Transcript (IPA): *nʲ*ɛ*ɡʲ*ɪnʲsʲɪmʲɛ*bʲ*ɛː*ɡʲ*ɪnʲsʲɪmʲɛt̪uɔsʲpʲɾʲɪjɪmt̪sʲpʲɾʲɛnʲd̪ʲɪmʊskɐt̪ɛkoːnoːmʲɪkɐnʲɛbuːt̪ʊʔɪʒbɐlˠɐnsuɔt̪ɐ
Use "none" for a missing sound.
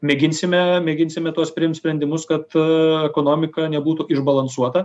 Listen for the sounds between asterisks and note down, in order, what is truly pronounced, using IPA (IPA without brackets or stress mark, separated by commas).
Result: mʲ, ɡʲ, mʲ, ɡʲ